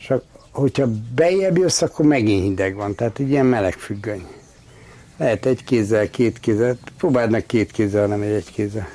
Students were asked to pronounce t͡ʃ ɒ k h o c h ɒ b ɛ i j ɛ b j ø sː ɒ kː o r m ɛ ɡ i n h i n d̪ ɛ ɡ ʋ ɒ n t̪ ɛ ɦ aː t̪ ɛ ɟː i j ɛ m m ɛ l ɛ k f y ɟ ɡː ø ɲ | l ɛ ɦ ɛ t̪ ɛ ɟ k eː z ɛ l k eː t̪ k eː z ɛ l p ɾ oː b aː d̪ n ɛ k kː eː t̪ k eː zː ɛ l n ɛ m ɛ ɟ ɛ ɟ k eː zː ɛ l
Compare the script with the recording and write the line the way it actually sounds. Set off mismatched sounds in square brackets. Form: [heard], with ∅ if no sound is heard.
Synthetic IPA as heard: t͡ʃ ɒ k h o c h ɒ b ɛ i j ɛ b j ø sː ɒ kː o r m ɛ ɡ i n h i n d̪ ɛ ɡ ʋ ɒ n t̪ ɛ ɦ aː t̪ ɛ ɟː i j ɛ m m ɛ l ɛ k f y [∅] ɡː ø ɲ | l ɛ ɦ ɛ t̪ ɛ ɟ k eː z ɛ l k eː t̪ k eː z ɛ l p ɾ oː b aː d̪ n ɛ k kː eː t̪ k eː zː ɛ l n ɛ m ɛ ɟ ɛ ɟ k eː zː ɛ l